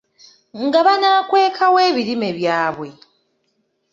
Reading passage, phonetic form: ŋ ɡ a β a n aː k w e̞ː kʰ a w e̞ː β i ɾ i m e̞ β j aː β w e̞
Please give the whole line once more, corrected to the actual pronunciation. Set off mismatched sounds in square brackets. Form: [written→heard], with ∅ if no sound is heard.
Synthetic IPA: ŋ ɡ a β a n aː k w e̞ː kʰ a w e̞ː β i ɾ i m e̞ β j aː β w e̞